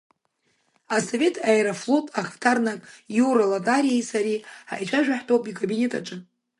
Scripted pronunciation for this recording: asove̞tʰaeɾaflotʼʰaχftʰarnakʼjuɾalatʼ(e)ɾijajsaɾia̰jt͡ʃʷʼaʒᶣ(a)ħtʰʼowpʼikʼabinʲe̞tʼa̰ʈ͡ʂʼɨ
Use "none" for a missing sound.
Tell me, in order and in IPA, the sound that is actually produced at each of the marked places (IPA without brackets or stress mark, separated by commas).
a, a